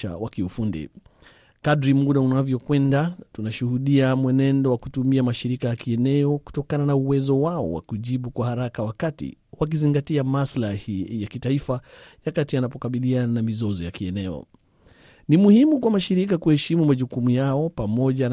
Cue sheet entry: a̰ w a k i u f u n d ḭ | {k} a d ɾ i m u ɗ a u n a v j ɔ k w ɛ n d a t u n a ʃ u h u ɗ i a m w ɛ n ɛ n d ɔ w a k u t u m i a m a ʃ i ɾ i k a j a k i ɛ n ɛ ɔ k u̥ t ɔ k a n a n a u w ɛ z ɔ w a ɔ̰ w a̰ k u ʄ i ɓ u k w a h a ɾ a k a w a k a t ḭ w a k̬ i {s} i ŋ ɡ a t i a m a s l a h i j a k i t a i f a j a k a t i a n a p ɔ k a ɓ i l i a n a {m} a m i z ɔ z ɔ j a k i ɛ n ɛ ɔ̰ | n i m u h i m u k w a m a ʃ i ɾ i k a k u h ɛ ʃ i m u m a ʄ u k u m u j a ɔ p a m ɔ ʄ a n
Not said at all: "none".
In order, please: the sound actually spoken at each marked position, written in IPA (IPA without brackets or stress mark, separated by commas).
k, z, n